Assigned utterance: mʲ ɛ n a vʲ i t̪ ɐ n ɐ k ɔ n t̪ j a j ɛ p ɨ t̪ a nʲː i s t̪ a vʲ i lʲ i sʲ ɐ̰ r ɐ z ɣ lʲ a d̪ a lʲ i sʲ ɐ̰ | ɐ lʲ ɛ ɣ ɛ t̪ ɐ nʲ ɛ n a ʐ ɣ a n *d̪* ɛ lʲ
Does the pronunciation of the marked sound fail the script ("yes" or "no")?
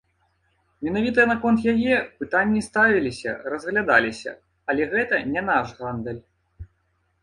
no